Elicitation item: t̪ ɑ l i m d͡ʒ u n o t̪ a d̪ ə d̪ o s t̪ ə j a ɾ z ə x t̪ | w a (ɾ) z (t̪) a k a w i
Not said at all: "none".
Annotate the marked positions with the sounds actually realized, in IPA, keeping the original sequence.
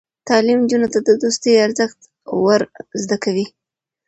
ɾ, d̪

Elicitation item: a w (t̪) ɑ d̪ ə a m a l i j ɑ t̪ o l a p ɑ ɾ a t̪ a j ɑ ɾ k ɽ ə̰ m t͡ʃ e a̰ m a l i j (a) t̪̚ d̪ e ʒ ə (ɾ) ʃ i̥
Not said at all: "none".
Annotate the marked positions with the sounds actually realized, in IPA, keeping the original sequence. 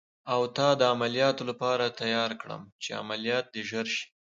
t̪, ɑ, ɾ

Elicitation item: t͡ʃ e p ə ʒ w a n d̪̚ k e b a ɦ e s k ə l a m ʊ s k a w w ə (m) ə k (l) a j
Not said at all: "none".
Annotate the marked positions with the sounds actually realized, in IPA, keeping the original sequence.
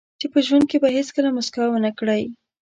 n, ɽ

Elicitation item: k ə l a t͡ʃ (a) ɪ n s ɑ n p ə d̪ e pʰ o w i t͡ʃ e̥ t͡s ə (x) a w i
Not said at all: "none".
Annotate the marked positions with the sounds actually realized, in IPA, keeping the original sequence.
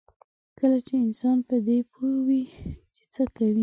e, k

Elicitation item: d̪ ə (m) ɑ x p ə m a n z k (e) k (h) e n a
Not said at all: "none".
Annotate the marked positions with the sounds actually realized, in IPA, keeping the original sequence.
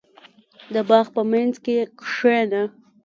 b, e, ʂ

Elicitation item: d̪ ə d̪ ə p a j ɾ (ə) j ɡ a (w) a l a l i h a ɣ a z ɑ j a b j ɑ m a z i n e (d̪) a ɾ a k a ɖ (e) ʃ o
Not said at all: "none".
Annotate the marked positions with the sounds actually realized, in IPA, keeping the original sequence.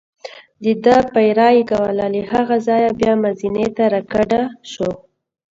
ɑ, w, t̪, a

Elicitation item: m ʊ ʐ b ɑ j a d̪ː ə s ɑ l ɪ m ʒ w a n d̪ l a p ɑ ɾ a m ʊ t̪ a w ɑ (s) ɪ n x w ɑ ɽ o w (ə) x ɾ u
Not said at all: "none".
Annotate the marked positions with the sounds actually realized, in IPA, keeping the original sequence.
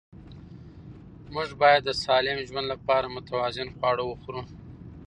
z, ə

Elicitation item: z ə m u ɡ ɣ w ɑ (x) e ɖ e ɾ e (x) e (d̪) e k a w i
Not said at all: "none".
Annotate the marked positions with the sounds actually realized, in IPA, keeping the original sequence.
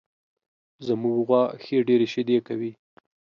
x, ʃ, d̪

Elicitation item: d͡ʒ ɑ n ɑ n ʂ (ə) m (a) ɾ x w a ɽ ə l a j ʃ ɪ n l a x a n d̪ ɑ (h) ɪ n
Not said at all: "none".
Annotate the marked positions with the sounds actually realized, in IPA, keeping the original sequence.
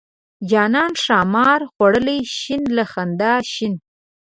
ɑ, ɑ, ʃ

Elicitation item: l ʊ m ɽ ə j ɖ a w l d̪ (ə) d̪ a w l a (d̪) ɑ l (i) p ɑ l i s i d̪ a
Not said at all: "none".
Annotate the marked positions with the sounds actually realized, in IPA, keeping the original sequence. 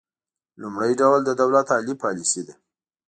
ə, t̪, i

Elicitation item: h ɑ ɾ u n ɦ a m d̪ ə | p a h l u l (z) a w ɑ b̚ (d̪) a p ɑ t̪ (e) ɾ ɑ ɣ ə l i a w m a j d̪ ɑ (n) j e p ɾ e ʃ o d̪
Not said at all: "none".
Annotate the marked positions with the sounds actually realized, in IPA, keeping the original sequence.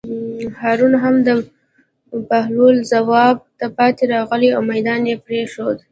z, t̪, e, n

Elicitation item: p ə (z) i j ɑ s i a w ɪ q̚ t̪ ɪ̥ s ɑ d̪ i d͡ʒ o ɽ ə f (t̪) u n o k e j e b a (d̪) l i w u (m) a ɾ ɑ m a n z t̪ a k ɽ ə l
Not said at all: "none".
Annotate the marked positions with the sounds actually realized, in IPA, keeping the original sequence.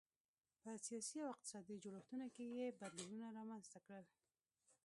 s, t̪, d̪, n

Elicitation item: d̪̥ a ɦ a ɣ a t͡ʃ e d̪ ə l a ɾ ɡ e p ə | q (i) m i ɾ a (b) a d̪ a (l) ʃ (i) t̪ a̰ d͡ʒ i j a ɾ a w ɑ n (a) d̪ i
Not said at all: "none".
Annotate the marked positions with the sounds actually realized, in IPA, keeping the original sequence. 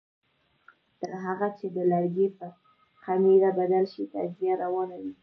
a, b, l, i, a

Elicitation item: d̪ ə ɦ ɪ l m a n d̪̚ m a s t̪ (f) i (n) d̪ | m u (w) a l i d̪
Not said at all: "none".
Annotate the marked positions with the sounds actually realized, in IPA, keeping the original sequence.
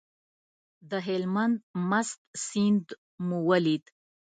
s, n, w

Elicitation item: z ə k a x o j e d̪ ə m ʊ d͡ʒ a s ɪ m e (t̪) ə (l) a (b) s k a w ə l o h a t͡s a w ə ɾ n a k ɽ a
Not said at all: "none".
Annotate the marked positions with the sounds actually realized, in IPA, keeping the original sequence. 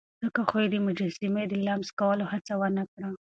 d̪, l, m

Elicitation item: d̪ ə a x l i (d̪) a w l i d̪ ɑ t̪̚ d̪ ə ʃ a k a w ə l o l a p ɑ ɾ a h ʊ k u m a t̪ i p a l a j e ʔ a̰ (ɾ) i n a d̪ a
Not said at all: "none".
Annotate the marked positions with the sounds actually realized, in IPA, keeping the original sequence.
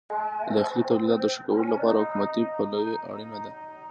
t̪, ɽ

